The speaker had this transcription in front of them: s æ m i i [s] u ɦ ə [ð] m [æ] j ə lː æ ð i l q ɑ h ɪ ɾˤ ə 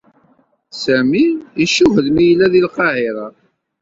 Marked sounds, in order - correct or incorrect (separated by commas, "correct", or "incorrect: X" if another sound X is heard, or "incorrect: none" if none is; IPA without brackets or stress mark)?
incorrect: ʃ, correct, incorrect: i